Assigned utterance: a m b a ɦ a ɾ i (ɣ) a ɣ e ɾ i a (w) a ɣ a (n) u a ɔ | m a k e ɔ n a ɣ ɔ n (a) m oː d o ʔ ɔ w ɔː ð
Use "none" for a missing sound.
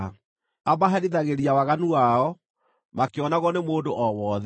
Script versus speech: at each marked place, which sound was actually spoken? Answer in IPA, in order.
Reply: ð, w, n, e

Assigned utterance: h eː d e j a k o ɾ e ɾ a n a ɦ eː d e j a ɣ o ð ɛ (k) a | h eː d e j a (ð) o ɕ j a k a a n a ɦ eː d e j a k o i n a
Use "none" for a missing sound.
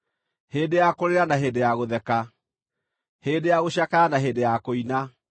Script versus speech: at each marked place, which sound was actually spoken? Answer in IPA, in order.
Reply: k, ɣ

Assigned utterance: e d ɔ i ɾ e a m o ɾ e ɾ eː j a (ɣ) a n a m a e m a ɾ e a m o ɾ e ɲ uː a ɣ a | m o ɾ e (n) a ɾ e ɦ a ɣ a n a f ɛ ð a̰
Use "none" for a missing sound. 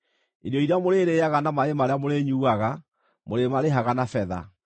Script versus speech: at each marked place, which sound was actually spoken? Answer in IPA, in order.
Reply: ɣ, m

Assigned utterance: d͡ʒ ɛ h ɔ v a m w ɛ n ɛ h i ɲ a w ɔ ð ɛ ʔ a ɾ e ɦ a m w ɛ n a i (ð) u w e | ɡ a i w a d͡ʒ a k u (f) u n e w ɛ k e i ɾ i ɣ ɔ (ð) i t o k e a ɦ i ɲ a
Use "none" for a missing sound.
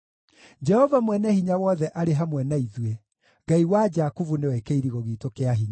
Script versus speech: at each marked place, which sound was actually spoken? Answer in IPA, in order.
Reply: ð, v, ɣ

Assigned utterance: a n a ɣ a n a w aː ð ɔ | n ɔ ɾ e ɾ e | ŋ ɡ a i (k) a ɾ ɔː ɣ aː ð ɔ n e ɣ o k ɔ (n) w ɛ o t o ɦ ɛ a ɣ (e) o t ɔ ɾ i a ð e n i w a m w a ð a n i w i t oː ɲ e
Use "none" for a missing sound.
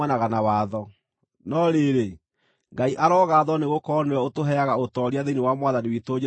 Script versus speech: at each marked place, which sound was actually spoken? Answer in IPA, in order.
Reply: ʔ, n, a

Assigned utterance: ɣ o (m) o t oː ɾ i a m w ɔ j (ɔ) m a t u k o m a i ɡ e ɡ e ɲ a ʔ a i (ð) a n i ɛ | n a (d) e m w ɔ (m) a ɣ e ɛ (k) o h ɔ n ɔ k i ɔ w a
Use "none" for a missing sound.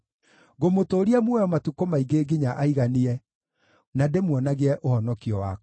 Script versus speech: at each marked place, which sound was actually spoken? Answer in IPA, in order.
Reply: m, ɔ, ɣ, d, n, ʔ

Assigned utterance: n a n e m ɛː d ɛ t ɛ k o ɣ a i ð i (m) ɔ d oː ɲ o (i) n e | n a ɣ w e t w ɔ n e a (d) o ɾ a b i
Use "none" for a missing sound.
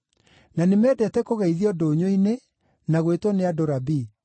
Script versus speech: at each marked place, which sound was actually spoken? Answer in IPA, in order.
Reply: none, i, d

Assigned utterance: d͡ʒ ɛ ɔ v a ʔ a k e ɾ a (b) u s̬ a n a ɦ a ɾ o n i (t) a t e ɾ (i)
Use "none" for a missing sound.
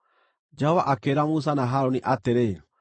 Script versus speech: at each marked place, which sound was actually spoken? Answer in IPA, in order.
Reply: m, ʔ, e

